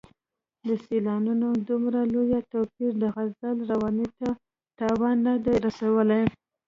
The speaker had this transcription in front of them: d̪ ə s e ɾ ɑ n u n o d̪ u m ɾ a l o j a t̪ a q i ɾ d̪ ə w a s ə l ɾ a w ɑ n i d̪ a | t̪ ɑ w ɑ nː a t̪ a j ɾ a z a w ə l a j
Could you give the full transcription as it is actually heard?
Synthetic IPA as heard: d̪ ə s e l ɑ n u n o d̪ u m ɾ a l o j a t̪ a p i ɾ d̪ ə ɣ a z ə l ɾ a w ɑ n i t̪ a | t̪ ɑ w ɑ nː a d̪ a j ɾ a s a w ə l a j